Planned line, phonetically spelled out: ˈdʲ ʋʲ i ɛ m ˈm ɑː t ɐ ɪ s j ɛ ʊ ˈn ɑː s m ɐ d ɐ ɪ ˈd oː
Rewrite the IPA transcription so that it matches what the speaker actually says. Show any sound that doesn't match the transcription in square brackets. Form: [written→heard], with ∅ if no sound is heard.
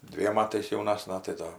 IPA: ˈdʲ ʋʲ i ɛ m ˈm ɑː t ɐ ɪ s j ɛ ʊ ˈn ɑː s [m→n] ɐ [d→t] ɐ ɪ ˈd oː